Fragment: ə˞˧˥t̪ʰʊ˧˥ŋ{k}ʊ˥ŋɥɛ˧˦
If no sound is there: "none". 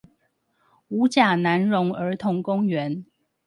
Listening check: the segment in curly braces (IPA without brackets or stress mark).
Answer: k